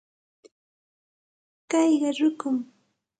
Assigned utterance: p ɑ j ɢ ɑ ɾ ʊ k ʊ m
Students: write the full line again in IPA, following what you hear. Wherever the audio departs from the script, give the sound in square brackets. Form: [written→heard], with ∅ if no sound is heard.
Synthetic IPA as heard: [p→k] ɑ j ɢ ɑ ɾ ʊ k ʊ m